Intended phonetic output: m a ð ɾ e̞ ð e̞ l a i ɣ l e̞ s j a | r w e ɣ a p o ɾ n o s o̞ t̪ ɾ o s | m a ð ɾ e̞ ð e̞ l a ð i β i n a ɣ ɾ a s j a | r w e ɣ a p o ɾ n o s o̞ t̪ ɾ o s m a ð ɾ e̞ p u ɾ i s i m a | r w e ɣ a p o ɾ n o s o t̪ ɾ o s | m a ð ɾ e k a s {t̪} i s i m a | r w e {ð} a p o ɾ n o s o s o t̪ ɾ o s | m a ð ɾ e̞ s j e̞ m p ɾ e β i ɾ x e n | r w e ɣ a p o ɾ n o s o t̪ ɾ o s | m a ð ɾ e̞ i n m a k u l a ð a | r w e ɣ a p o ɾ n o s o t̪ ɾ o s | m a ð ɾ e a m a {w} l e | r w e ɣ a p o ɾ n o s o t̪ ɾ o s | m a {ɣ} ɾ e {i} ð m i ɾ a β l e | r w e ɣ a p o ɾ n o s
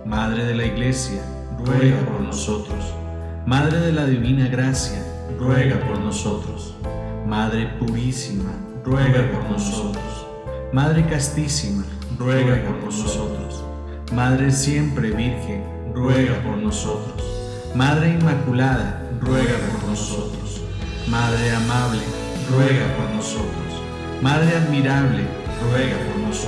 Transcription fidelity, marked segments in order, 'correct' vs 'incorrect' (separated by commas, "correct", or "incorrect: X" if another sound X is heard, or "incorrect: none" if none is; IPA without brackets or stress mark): correct, incorrect: ɣ, incorrect: β, incorrect: ð, incorrect: a